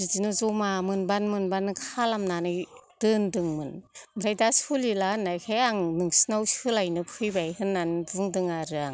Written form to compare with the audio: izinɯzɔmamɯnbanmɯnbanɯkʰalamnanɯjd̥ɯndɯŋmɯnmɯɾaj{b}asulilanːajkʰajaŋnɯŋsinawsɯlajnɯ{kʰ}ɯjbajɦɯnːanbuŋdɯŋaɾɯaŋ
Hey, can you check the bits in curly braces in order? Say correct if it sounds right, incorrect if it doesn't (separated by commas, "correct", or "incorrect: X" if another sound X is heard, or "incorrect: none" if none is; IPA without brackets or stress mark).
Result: incorrect: d, incorrect: pʰ